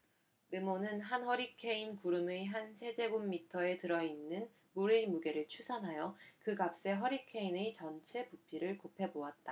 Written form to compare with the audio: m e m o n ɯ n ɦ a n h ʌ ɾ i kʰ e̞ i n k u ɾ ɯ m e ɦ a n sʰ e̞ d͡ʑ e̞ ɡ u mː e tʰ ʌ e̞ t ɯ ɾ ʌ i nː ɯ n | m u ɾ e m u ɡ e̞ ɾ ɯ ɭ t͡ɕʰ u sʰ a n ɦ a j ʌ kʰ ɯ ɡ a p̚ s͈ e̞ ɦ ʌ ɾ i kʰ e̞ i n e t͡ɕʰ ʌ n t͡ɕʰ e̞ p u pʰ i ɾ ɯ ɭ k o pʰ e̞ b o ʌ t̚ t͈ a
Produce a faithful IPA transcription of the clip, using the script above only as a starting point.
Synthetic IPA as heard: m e m o n ɯ n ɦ a n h ʌ ɾ i kʰ e̞ i n k u ɾ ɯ m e ɦ a n sʰ e̞ d͡ʑ e̞ ɡ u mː i tʰ ʌ e̞ t ɯ ɾ ʌ i nː ɯ n | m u ɾ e m u ɡ e̞ ɾ ɯ ɭ t͡ɕʰ u sʰ a n ɦ a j ʌ k ɯ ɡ a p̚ s͈ e̞ ɦ ʌ ɾ i kʰ e̞ i n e t͡ɕ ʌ n t͡ɕʰ e̞ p u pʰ i ɾ ɯ ɭ k o pʰ e̞ b o a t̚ t͈ a

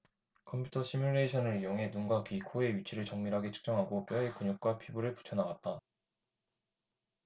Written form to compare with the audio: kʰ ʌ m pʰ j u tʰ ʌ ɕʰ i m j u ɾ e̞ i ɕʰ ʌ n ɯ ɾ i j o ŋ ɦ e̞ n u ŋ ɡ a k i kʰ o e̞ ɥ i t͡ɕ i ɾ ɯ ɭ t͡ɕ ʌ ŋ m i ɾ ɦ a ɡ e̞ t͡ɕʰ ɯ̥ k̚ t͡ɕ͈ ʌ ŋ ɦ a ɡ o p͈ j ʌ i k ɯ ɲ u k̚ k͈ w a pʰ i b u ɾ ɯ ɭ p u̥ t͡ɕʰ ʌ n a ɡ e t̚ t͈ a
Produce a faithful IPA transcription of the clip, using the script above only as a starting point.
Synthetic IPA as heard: kʰ ʌ m pʰ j u tʰ ʌ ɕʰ i m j u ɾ e̞ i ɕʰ ʌ n ɯ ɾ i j o ŋ ɦ e̞ n u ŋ ɡ a k i kʰ o e̞ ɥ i t͡ɕʰ i ɾ ɯ ɭ t͡ɕ ʌ ŋ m i ɾ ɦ a ɡ e̞ t͡ɕʰ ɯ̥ k̚ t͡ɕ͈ ʌ ŋ ɦ a ɡ o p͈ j ʌ e k u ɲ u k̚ k͈ w a pʰ i b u ɾ ɯ ɭ p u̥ t͡ɕʰ ʌ n a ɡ a t̚ t͈ a

